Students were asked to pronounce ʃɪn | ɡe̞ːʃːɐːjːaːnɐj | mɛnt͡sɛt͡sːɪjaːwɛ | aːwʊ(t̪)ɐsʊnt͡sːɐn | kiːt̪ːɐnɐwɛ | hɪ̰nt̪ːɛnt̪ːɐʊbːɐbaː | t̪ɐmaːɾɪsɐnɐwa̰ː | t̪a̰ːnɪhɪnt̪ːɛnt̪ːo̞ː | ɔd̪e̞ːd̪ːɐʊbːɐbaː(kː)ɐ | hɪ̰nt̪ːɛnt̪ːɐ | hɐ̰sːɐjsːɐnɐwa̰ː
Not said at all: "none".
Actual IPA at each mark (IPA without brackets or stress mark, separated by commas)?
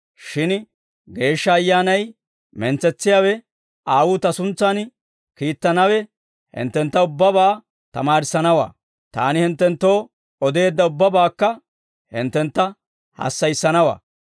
t̪, kː